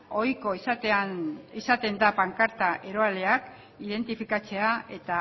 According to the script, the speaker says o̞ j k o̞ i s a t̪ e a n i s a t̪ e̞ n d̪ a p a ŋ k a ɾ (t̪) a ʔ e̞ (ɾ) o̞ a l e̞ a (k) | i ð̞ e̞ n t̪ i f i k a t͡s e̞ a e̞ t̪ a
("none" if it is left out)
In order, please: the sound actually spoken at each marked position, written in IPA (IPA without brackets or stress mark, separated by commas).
t̪, ɾ, k